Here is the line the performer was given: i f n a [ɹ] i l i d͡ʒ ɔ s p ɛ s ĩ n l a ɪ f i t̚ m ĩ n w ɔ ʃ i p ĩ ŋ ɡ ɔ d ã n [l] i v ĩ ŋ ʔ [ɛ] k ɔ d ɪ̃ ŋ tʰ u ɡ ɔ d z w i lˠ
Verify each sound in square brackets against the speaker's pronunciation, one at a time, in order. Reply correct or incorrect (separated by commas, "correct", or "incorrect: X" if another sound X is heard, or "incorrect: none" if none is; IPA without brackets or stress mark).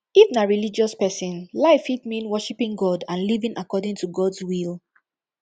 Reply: correct, correct, incorrect: a